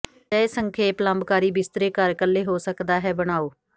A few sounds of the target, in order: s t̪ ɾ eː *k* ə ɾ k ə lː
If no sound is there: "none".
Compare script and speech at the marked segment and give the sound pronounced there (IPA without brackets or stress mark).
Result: k